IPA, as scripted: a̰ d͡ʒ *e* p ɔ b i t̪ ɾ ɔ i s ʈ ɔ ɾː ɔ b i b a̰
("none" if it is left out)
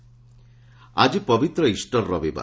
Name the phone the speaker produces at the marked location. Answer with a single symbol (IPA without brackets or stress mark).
i